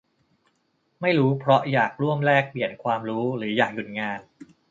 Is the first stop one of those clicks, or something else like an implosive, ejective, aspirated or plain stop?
aspirated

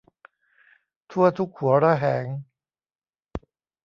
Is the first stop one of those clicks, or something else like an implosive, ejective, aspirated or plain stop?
aspirated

